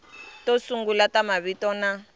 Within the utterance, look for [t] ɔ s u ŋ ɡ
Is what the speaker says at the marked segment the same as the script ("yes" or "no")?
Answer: yes